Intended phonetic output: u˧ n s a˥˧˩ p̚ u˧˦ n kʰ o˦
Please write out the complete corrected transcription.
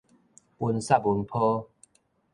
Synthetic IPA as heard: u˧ n s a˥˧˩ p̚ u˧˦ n pʰ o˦